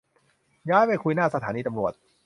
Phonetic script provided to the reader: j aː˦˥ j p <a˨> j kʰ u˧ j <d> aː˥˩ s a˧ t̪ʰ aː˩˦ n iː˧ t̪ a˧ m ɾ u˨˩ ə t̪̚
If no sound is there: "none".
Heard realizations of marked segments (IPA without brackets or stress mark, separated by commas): a˥˩, n